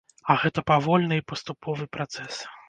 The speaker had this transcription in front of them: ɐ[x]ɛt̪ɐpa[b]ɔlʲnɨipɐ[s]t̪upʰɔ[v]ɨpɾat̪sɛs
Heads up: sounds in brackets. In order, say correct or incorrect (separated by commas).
incorrect, incorrect, correct, correct